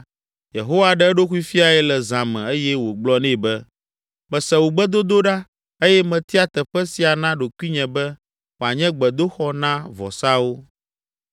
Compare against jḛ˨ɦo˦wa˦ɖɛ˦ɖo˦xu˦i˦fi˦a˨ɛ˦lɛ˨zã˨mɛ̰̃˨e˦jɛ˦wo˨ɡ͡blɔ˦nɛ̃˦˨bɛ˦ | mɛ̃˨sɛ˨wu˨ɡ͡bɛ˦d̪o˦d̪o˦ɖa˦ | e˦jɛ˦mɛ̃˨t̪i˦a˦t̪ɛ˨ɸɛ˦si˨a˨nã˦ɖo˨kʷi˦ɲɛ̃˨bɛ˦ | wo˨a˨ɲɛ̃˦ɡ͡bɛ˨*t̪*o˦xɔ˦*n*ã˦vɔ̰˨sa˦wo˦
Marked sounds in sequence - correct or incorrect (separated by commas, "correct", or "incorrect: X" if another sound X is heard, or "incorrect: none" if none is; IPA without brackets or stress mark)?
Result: incorrect: d̪, correct